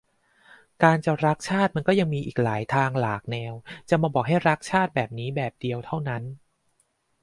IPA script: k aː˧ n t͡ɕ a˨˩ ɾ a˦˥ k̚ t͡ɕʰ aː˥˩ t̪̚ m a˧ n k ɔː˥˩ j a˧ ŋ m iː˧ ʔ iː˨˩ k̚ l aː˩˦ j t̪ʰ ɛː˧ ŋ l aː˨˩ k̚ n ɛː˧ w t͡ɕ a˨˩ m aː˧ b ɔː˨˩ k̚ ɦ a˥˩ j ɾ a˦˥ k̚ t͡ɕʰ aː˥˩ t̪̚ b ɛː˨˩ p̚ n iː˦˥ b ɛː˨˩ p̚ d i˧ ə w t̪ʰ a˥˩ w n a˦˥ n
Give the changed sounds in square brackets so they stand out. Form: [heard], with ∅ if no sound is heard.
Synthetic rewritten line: k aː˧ n t͡ɕ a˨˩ ɾ a˦˥ k̚ t͡ɕʰ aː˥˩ t̪̚ m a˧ n k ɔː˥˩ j a˧ ŋ m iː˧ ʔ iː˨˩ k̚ l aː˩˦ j t̪ʰ [aː˧] ŋ l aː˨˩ k̚ n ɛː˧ w t͡ɕ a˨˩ m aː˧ b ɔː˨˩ k̚ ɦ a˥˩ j ɾ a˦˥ k̚ t͡ɕʰ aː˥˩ t̪̚ b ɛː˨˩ p̚ n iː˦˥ b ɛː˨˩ p̚ d i˧ ə w t̪ʰ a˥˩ w n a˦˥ n